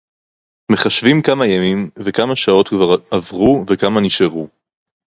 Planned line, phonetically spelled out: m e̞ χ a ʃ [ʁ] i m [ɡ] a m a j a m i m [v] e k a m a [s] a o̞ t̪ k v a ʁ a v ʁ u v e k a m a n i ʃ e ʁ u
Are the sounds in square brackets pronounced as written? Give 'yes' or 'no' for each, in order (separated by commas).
no, no, yes, no